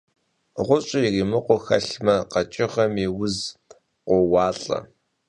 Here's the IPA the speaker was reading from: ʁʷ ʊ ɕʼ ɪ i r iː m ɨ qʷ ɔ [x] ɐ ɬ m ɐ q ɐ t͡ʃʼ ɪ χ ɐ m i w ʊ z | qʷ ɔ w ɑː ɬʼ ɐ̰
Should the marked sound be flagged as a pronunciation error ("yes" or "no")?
no